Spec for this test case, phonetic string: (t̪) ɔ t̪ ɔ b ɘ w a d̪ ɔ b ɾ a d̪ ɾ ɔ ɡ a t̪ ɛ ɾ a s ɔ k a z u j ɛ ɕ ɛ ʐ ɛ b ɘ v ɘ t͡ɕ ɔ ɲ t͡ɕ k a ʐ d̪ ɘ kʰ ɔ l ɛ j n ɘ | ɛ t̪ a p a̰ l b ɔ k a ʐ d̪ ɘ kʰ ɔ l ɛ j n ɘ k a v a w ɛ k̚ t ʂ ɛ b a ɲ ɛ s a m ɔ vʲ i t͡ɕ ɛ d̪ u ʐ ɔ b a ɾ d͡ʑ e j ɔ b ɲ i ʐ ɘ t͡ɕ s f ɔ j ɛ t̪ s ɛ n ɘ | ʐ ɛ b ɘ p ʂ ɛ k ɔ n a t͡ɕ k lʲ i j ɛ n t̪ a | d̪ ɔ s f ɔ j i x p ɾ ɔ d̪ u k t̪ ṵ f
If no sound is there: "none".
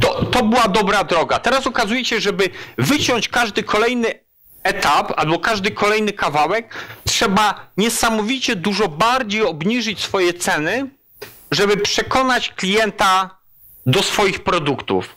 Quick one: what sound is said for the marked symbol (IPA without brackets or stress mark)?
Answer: t̪